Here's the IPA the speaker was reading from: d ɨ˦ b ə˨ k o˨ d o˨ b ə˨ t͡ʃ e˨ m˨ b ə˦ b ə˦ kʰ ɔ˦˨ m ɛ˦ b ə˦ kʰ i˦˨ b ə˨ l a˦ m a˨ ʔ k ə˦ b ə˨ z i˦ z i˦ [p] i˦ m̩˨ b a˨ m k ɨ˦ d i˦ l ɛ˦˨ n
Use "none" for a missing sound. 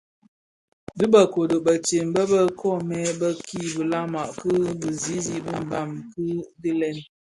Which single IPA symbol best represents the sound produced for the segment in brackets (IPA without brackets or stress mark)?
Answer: b